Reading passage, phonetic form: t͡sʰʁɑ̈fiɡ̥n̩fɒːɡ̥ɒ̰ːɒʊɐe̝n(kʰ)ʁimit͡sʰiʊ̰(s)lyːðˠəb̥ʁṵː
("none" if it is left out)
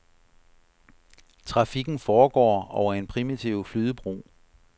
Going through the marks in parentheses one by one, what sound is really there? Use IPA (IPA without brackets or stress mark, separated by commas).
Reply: pʰ, f